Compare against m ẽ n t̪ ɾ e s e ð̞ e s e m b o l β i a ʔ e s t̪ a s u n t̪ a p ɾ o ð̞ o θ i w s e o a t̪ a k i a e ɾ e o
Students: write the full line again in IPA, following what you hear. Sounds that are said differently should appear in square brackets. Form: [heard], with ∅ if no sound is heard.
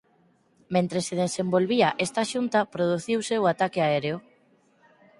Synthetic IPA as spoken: m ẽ n t̪ ɾ e s e ð̞ e s e m b o l β i a ʔ e s t̪ a [ʃ] u n t̪ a p ɾ o ð̞ [u] θ i w s e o a t̪ a k [e] a e ɾ e o

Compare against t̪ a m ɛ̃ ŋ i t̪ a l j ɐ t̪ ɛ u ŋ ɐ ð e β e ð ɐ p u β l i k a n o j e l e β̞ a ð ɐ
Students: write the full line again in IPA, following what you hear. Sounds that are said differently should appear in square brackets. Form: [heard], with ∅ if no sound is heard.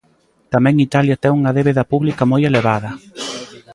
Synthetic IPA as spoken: t̪ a m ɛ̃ ŋ i t̪ a l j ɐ t̪ ɛ u ŋ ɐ ð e β e ð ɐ p u β l i k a [m] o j e l e β̞ a ð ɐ

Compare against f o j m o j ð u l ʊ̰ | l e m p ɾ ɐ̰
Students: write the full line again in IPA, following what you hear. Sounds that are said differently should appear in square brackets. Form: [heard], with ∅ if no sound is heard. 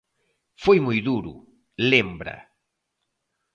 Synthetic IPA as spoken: f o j m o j ð u [ɾ] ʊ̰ | l e m [b] ɾ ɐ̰

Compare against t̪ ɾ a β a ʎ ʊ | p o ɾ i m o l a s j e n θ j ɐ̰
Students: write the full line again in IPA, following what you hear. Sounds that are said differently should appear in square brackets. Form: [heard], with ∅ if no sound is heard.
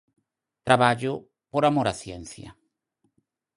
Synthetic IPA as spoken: t̪ ɾ a β a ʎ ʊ | p o ɾ [a] m o [ɾ] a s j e n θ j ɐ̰

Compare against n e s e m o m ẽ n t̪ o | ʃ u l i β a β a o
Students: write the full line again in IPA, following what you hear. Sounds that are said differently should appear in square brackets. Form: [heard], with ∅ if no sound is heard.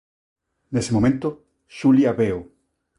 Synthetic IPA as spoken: n e s e m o m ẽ n t̪ o | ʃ u l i [∅] a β [e] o

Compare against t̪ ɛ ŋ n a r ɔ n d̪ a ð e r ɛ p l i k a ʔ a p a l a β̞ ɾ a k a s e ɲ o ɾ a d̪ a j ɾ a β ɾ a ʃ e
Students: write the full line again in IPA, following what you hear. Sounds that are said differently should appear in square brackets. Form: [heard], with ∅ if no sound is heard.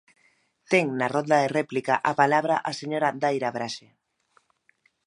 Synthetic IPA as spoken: t̪ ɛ ŋ n a r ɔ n d̪ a ð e r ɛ p l i k a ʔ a p a l a β̞ ɾ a [ʔ] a s e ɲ o ɾ a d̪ a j ɾ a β ɾ a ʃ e

